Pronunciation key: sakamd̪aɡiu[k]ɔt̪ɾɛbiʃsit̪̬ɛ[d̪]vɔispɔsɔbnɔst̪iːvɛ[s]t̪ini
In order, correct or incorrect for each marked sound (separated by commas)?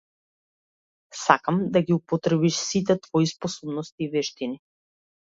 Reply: incorrect, incorrect, incorrect